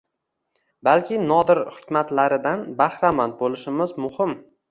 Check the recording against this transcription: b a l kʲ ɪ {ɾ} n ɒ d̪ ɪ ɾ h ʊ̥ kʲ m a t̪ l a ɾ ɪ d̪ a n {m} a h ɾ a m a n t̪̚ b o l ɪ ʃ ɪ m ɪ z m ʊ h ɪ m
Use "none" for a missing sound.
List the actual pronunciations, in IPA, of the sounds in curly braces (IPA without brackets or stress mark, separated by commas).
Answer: none, b